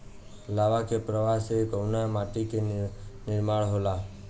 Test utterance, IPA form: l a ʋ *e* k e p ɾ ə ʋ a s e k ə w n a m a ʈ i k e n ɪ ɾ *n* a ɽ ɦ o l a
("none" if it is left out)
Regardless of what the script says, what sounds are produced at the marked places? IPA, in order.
a, m

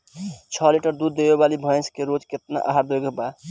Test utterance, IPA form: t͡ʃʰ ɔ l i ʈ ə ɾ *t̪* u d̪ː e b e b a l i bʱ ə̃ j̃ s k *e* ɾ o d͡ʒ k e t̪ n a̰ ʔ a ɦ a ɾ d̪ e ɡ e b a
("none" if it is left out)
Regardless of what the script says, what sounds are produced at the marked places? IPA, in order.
d̪, e

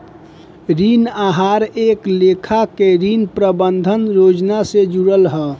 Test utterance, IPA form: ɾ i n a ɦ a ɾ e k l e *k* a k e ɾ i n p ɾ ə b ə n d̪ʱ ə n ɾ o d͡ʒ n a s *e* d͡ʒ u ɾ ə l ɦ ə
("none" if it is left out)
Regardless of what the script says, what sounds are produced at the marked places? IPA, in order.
kʰ, e

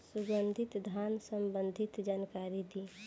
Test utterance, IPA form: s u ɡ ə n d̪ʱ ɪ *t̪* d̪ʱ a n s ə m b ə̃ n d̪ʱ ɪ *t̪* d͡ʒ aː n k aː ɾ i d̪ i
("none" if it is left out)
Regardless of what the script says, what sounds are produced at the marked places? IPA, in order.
t̪, t̪

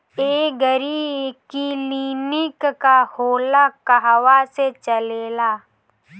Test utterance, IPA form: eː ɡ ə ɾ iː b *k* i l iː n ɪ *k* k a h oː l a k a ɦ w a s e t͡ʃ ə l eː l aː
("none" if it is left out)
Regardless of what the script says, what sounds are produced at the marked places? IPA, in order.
k, k

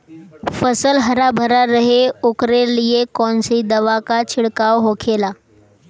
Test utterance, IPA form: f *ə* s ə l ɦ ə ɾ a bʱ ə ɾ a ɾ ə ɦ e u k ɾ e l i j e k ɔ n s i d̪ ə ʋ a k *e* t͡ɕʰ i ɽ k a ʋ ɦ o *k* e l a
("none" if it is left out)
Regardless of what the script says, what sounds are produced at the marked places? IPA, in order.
ə, a, kʰ

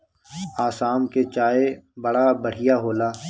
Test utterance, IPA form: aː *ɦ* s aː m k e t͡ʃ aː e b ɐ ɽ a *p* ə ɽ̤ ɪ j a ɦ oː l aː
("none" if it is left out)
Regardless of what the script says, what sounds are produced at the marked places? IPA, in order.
none, b

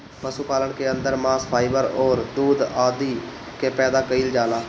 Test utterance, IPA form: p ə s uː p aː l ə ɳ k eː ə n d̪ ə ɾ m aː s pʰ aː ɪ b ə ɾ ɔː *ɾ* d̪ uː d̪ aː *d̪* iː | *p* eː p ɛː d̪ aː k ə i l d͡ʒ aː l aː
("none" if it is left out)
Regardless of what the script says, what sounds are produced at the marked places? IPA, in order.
ɾ, d̪, k

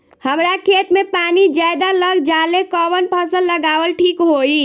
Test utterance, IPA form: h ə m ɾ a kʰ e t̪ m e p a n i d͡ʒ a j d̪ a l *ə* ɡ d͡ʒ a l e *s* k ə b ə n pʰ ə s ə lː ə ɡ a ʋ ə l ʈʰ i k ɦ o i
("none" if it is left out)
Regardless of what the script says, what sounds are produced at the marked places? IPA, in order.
ə, none

